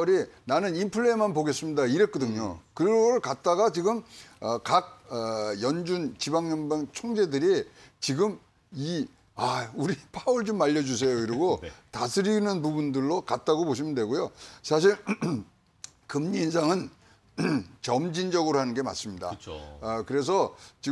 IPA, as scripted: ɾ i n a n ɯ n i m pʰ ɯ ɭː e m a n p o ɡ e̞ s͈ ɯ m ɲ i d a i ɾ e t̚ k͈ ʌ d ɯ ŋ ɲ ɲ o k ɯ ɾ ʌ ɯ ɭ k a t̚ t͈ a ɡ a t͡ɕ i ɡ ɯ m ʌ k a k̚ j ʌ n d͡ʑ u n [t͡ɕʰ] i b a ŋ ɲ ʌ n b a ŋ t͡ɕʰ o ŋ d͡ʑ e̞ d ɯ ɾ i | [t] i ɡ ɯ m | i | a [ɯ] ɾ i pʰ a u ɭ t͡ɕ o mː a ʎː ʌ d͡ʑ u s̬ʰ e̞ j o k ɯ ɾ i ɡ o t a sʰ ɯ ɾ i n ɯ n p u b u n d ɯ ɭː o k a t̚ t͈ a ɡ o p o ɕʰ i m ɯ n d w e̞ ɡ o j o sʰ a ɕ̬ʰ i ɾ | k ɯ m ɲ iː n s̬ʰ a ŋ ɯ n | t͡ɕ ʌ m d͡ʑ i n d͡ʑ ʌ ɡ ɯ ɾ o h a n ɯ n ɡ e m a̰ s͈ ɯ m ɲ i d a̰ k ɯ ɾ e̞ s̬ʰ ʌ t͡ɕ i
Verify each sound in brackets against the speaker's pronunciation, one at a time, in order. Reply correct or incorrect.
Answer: incorrect: t͡ɕ, incorrect: t͡ɕ, incorrect: u

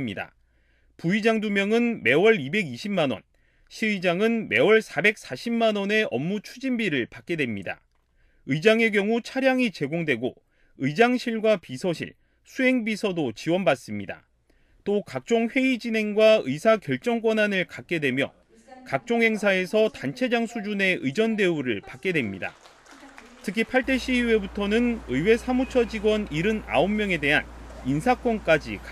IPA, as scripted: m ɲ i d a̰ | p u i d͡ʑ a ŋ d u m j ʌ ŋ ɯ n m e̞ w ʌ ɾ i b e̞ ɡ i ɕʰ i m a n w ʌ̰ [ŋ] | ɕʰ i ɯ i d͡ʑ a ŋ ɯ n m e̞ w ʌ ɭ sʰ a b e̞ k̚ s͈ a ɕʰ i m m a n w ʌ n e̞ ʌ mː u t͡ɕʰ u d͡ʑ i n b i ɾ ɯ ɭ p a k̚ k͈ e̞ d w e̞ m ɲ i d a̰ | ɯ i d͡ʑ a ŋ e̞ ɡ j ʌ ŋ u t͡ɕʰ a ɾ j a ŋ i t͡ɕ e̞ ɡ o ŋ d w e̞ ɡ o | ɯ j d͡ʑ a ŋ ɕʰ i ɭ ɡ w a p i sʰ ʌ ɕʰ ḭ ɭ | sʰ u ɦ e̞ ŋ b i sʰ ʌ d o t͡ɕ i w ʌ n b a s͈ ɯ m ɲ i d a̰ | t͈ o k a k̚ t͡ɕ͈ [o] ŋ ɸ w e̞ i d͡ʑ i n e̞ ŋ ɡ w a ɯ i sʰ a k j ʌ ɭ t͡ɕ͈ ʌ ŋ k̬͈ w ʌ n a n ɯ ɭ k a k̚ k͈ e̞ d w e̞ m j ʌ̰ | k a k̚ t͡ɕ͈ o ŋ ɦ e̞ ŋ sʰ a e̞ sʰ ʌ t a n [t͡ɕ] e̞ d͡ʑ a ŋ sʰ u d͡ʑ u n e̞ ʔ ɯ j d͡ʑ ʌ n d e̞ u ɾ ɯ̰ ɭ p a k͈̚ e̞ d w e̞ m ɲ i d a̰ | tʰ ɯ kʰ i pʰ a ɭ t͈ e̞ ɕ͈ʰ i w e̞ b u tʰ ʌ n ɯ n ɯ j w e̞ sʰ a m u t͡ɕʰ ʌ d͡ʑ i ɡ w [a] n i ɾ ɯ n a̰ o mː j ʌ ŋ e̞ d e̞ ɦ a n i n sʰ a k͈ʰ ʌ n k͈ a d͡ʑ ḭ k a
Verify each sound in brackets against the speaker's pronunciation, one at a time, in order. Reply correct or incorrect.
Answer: incorrect: n, correct, incorrect: t͡ɕʰ, incorrect: ʌ

